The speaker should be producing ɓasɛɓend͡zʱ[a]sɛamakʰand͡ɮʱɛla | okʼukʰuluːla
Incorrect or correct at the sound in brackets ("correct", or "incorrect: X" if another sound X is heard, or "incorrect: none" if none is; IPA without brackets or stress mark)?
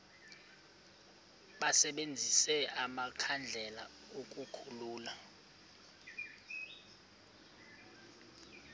incorrect: i